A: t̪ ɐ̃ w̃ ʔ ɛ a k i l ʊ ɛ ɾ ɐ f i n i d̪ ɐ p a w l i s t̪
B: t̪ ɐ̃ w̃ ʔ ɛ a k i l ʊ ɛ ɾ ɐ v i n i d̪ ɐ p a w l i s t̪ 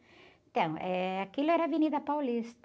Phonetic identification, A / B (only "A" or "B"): B